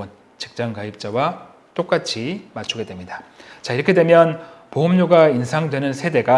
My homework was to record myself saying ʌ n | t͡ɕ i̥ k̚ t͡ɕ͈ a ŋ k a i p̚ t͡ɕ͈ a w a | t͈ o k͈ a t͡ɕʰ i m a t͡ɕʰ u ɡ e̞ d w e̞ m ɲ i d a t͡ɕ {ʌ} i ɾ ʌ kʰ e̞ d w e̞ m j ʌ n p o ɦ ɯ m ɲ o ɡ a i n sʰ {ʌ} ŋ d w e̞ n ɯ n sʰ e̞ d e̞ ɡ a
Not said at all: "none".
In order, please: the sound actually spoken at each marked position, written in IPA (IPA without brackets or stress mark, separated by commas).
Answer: a, a